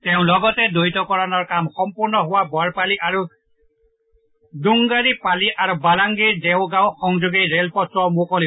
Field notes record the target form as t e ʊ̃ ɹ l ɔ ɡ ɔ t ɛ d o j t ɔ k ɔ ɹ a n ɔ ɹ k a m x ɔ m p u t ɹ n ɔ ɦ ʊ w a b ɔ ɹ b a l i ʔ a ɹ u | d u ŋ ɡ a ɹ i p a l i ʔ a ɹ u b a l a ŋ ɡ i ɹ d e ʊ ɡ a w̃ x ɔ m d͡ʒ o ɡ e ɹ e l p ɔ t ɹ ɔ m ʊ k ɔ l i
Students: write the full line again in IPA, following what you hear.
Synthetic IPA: t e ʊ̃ l ɔ ɡ ɔ t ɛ d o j t ɔ k ɔ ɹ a n ɔ ɹ k a m x ɔ m p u ɹ n ɔ ɦ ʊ w a b ɔ ɹ p a l i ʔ a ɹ u | d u ŋ ɡ a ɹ i p a l i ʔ a ɹ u b a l a ŋ ɡ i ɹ d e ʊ ɡ a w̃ x ɔ ŋ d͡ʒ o ɡ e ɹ e l p ɔ t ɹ ɔ m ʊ k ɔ l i